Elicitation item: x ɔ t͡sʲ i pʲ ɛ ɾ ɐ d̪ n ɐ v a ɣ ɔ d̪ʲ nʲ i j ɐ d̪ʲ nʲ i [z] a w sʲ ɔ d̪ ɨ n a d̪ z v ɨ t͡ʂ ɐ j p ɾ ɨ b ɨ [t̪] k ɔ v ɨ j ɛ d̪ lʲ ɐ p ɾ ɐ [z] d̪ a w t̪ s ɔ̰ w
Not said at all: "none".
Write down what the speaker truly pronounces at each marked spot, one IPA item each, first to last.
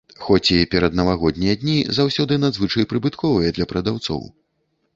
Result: z, t̪, none

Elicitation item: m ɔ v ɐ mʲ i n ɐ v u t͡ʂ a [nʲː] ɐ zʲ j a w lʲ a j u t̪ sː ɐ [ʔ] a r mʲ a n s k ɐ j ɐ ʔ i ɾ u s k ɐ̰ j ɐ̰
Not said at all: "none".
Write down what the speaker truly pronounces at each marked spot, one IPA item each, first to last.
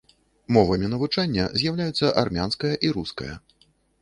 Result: nʲː, ʔ

